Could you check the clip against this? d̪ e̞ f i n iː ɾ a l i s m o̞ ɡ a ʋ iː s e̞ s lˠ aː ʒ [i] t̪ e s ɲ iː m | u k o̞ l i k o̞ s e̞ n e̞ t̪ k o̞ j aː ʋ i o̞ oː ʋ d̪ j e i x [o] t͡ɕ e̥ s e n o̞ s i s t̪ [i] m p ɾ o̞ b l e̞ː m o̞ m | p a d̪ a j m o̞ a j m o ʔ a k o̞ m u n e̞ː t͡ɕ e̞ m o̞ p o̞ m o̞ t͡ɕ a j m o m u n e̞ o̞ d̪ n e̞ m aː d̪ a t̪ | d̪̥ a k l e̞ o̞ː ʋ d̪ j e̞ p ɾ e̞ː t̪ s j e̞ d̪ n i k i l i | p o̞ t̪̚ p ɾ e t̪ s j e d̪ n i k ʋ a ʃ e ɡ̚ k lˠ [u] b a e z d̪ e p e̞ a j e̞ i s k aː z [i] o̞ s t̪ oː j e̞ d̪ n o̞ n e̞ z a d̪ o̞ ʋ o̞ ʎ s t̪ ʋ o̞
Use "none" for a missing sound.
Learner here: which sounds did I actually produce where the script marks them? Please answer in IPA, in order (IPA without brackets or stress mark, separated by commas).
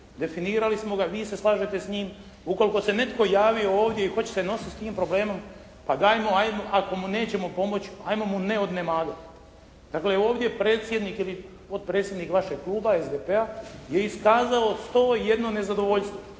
e, o, iː, uː, a